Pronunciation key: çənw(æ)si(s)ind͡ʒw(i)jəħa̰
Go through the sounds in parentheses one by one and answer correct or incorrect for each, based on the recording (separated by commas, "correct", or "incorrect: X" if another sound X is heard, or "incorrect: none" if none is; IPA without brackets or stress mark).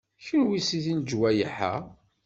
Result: incorrect: i, incorrect: θ, incorrect: æ